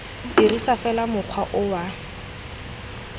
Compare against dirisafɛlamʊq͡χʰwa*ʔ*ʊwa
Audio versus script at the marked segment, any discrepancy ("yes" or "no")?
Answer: no